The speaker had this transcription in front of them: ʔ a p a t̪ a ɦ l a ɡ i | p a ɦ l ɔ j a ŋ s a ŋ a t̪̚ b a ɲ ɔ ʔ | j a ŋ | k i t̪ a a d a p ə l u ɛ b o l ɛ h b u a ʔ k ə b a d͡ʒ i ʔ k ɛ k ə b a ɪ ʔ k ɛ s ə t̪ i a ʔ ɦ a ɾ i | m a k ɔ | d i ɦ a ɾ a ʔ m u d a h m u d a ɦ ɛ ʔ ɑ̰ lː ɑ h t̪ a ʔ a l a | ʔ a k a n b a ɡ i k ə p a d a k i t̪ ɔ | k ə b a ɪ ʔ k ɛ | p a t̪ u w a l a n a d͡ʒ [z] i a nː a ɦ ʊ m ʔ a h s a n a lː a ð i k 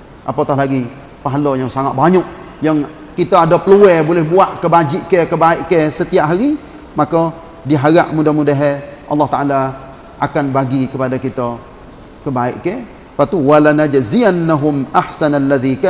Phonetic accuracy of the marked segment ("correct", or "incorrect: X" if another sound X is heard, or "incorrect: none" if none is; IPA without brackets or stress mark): correct